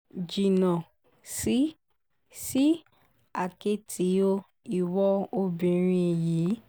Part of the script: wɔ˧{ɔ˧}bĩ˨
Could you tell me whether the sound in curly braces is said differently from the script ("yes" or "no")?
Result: yes